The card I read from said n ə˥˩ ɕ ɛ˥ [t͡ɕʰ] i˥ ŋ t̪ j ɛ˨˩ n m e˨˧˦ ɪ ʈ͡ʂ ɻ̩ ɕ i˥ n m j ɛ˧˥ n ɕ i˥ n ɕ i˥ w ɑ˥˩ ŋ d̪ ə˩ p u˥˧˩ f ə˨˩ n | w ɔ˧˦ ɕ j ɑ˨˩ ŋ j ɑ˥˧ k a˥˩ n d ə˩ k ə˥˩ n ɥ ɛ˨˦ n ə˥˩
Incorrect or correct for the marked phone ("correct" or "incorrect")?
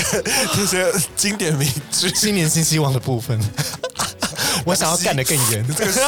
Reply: incorrect